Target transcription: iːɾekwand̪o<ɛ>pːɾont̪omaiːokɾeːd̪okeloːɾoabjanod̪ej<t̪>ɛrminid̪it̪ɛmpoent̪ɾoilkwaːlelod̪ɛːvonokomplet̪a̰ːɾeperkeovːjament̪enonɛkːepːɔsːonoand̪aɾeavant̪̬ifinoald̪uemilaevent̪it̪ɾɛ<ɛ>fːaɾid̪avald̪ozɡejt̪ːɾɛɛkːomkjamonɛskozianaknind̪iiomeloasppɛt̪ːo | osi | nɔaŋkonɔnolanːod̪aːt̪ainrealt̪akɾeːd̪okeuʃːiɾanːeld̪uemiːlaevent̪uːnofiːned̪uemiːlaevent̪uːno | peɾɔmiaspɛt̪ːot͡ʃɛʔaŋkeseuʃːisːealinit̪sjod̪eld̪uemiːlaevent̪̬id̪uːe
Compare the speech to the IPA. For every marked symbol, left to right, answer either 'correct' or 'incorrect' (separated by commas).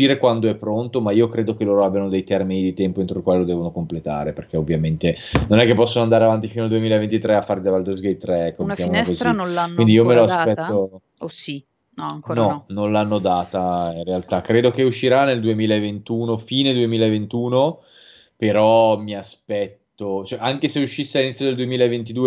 correct, correct, incorrect